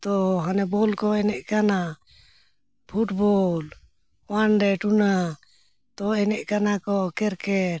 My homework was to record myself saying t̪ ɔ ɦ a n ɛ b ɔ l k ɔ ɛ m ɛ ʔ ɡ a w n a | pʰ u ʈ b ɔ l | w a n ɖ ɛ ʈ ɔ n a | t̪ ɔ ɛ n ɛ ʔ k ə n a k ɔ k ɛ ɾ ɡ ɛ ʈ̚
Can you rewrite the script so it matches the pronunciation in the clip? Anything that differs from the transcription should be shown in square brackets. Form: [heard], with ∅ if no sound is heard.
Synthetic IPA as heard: t̪ ɔ ɦ a n ɛ b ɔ l k ɔ ɛ [n] ɛ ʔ [k] a [∅] n a | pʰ u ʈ b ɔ l | w a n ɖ ɛ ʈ [u] n a | t̪ ɔ ɛ n ɛ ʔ k [a] n a k ɔ k ɛ ɾ [k] ɛ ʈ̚